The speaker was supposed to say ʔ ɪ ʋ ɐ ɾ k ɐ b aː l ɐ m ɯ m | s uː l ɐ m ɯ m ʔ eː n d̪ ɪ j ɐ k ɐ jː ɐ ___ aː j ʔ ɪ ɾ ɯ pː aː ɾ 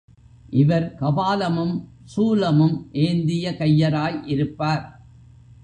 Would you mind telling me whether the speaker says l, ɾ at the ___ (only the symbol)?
ɾ